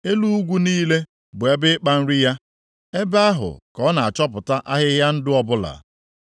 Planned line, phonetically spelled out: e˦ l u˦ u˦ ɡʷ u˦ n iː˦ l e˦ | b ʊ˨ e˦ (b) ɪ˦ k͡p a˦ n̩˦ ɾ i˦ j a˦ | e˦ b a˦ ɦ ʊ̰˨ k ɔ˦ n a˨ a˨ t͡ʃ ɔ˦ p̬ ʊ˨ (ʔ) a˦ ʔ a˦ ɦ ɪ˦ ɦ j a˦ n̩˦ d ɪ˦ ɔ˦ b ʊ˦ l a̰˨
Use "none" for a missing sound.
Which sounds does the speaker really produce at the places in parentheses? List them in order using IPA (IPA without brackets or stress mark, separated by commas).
b, t